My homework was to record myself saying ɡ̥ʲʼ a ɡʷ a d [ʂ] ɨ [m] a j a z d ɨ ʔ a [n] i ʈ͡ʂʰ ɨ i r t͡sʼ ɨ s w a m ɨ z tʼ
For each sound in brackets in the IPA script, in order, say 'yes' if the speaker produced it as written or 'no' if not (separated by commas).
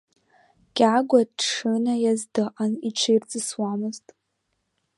yes, no, yes